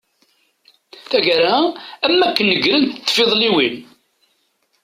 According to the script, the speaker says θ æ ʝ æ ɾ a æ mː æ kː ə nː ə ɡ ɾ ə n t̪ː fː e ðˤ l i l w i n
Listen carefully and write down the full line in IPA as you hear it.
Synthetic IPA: θ æ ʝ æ ɾ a æ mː æ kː ə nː ə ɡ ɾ ə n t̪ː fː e ðˤ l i w i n